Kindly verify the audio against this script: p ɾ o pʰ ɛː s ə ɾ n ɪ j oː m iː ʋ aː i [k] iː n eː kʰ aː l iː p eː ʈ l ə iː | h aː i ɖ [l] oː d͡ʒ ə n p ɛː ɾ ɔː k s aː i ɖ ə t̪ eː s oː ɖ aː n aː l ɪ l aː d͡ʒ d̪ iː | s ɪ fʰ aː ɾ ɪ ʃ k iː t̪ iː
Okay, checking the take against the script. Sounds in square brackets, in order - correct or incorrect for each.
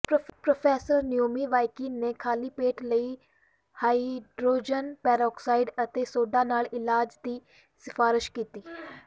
correct, incorrect: ɾ

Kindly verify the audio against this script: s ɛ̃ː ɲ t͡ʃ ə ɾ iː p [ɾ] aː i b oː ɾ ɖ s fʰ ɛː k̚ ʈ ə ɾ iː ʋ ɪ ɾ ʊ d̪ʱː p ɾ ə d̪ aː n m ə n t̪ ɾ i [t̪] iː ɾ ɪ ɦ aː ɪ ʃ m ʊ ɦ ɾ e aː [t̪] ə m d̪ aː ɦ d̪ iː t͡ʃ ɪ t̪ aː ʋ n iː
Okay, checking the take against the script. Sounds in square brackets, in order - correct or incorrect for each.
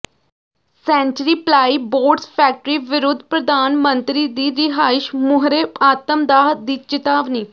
incorrect: l, incorrect: d̪, correct

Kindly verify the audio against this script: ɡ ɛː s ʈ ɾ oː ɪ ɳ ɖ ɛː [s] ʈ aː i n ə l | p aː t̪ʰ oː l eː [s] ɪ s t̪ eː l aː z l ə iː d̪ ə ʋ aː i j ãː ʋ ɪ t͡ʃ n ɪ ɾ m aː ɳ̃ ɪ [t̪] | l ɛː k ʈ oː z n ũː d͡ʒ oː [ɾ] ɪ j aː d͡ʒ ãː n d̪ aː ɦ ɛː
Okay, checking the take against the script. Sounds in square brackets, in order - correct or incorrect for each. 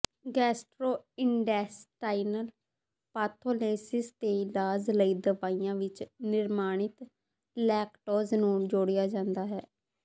correct, correct, correct, incorrect: ɽ

